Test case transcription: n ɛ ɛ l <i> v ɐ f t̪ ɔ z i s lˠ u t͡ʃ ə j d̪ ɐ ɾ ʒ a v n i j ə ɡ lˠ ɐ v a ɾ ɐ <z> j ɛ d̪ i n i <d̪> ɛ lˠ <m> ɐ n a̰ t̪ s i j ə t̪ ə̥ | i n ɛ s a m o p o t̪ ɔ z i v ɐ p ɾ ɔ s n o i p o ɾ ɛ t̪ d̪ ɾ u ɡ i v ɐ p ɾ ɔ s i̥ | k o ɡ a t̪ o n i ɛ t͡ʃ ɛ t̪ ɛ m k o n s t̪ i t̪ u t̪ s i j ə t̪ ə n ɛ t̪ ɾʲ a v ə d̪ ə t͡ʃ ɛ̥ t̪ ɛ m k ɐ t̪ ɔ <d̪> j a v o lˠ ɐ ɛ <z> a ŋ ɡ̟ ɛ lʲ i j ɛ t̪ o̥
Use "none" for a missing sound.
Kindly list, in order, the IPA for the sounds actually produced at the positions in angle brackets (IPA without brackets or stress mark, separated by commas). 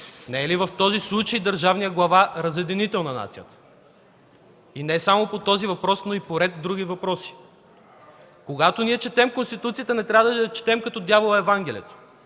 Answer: i, z, t̪, n, d̪, v